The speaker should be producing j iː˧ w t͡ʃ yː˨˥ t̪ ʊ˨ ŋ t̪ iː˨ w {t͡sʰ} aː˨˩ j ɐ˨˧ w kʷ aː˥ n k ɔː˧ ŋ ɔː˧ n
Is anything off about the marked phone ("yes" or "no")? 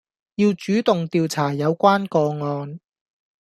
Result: no